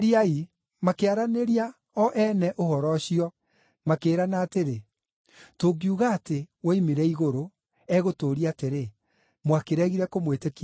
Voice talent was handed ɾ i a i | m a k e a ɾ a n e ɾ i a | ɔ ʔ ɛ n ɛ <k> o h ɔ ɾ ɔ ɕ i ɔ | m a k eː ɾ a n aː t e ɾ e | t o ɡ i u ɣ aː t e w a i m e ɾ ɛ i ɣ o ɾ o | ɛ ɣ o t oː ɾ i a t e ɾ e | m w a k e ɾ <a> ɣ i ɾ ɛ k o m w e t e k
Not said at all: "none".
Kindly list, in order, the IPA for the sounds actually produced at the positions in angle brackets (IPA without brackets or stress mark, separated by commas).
ʔ, ɛ